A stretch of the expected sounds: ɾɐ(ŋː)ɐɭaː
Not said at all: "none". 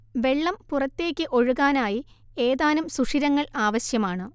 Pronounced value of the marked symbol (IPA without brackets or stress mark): ŋː